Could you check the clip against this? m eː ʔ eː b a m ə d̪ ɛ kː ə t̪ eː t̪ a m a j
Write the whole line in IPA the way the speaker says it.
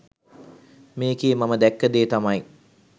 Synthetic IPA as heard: m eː k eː m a m ə d̪ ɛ kː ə d̪ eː t̪ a m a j